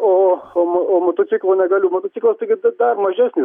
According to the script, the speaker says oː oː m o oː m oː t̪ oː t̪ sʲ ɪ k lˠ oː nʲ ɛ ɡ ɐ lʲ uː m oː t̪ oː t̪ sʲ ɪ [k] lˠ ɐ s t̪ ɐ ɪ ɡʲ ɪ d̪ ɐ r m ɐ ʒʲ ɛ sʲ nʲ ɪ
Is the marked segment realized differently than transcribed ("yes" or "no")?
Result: no